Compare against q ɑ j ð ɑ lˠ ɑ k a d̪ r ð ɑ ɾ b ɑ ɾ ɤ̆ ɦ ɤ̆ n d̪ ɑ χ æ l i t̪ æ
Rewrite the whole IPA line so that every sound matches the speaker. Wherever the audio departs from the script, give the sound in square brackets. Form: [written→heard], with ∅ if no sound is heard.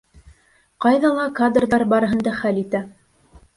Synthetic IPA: q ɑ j ð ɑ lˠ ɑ k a d̪ r ð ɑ ɾ b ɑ ɾ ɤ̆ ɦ ɤ̆ n d̪ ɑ χ æ l i t̪ æ